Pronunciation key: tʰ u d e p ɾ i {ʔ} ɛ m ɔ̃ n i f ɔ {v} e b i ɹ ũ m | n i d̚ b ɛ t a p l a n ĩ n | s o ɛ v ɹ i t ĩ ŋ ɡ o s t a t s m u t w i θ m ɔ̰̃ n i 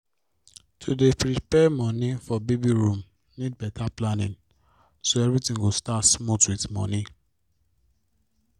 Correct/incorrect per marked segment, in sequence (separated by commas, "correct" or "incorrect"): incorrect, incorrect